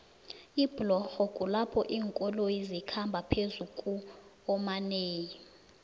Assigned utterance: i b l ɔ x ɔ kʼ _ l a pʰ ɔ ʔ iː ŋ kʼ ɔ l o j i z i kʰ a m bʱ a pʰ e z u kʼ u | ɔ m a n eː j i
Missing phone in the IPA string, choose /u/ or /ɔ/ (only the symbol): u